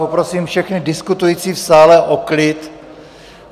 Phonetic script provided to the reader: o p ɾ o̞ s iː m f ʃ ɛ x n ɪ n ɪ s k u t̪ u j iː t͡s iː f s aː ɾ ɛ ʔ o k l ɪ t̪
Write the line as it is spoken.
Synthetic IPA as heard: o p ɾ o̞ s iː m f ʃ ɛ x n ɪ d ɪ s k u t̪ u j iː t͡s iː f s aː l ɛ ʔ o k l ɪ t̪